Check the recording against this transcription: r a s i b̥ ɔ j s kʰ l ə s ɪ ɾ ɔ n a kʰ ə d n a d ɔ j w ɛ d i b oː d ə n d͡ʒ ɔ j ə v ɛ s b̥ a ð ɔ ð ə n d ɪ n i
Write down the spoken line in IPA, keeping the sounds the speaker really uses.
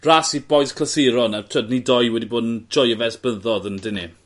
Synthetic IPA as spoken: r a s i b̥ ɔ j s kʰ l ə s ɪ ɾ ɔ n a tʰ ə d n i d ɔ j w ɛ d i b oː d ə n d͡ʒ ɔ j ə v ɛ s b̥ ə ð ɔ ð ə n d ɪ n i